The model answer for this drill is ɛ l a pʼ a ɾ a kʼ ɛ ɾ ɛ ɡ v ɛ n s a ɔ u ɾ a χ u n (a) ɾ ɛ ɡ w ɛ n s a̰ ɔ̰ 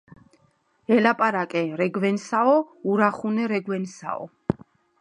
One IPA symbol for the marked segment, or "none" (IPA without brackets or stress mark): ɛ